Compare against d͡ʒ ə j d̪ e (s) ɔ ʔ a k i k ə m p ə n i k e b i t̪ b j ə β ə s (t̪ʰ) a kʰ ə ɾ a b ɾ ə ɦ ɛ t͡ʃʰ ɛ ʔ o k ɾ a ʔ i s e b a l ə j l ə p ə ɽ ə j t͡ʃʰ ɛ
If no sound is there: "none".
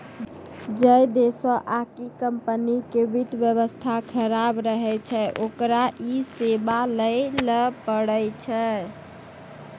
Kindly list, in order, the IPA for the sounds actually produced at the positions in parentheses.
s, t̪ʰ

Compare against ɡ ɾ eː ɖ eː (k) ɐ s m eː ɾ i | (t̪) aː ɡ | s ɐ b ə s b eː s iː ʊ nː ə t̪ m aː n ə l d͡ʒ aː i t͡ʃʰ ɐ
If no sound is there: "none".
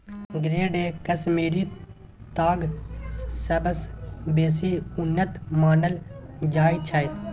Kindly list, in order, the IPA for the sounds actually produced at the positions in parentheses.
k, t̪

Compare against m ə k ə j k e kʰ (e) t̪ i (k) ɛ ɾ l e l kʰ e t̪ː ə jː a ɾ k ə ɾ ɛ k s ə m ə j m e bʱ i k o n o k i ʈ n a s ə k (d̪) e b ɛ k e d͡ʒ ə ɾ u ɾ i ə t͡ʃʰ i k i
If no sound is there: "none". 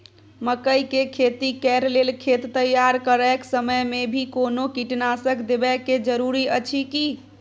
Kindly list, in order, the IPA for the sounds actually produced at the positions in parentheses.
e, k, d̪

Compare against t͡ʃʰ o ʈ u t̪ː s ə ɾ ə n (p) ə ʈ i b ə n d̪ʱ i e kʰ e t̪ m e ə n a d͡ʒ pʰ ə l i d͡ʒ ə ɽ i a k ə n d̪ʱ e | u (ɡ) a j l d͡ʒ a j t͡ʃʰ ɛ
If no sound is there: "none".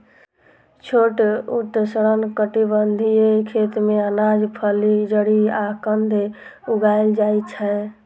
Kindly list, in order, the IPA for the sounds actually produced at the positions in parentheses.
k, ɡ

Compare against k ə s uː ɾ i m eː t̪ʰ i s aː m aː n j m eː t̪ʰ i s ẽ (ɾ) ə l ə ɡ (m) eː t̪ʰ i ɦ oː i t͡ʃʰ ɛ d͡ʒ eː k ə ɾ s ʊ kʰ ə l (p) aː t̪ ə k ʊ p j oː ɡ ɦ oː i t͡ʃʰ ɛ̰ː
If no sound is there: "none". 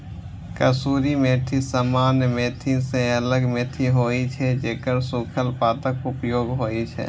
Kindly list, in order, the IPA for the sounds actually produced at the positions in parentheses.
none, m, p

